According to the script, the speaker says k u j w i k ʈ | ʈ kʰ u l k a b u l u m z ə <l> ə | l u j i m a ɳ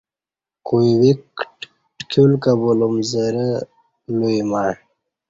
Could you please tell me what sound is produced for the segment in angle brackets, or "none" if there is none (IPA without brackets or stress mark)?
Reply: ɾ